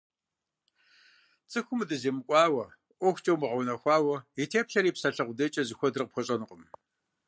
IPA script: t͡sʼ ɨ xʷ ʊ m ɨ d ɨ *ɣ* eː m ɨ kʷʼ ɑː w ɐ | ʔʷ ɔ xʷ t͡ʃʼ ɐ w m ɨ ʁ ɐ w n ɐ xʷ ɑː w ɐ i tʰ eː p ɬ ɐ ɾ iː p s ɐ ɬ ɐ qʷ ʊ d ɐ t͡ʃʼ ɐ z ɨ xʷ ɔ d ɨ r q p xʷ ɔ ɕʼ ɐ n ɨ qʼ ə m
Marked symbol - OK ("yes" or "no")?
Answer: no